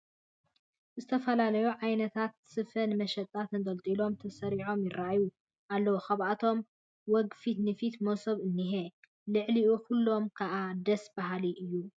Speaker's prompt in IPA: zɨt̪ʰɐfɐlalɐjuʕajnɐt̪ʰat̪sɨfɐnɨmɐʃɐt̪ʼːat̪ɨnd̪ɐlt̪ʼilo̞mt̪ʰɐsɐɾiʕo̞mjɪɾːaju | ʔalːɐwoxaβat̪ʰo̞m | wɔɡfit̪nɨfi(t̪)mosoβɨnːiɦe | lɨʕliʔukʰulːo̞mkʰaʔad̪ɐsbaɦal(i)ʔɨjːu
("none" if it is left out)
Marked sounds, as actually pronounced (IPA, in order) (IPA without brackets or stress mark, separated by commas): t̪, i